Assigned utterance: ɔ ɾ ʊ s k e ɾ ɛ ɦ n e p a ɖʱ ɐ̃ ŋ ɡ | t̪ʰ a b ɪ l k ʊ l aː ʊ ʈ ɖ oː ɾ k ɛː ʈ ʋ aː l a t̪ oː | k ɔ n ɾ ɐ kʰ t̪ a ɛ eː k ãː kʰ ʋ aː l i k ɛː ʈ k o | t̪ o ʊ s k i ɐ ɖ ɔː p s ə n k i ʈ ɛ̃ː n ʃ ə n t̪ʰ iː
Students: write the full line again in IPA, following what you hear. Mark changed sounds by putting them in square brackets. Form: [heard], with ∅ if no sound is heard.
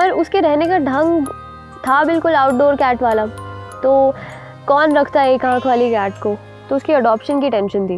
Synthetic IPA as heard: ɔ ɾ ʊ s k e ɾ ɛ ɦ n e [k] a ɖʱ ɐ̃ ŋ ɡ | t̪ʰ a b ɪ l k ʊ l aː ʊ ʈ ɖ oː ɾ k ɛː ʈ ʋ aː l a t̪ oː | k [ɔː] n ɾ ɐ kʰ t̪ a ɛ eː k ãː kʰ ʋ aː l i k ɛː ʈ k o | t̪ o ʊ s k i ɐ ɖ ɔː p [ʃ] ə n k i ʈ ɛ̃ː n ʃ ə n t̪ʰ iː